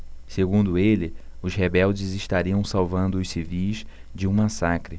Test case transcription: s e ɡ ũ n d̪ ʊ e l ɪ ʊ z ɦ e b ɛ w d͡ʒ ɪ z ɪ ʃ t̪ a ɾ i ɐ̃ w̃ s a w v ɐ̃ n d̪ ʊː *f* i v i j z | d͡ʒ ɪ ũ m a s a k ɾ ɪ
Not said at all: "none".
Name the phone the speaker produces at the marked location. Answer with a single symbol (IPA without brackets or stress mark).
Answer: s